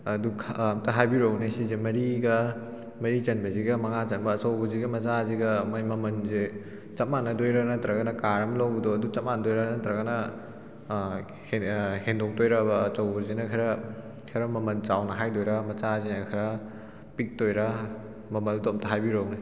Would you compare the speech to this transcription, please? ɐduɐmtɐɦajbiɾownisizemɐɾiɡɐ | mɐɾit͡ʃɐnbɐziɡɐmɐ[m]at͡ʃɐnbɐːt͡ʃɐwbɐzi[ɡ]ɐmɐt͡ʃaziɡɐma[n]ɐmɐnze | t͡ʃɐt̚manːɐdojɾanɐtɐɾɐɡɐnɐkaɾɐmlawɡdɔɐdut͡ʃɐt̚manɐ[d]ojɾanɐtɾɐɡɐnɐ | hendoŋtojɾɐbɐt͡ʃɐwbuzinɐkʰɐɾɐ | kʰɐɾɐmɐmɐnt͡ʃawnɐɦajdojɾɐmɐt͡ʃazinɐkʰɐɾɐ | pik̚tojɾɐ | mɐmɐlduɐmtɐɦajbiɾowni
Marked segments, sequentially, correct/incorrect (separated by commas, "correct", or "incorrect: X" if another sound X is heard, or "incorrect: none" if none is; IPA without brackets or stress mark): incorrect: ŋ, correct, incorrect: m, correct